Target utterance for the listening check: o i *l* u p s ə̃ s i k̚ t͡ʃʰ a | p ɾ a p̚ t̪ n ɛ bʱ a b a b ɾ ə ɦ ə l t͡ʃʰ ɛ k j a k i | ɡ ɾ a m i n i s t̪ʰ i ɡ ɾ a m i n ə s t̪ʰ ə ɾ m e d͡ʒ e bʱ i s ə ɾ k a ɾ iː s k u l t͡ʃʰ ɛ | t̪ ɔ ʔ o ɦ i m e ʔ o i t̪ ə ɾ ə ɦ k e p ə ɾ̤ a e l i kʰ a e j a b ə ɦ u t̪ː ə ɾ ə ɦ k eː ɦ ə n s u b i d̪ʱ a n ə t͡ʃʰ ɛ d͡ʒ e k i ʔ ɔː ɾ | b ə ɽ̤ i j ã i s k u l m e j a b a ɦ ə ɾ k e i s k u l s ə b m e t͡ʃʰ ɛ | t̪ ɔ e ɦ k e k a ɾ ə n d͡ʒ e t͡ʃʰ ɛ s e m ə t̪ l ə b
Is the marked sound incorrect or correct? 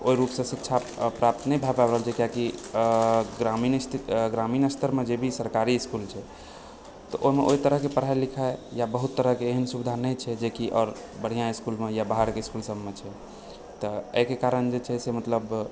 incorrect